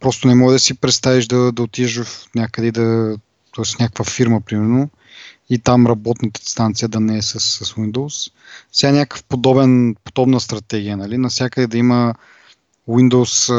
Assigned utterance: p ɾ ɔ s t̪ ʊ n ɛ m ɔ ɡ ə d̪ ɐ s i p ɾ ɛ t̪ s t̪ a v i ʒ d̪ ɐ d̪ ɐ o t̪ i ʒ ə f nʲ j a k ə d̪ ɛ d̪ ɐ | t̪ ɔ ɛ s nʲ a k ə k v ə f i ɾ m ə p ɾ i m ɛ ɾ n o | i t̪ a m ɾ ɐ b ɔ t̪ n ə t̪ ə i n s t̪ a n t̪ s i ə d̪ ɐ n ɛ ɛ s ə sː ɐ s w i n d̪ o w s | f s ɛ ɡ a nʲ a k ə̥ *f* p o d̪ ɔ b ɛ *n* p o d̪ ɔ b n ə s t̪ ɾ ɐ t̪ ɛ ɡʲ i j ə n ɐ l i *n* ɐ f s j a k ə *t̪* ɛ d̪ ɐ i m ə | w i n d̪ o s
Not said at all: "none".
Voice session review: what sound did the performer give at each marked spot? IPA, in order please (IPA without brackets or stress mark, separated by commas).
f, n, n, d̪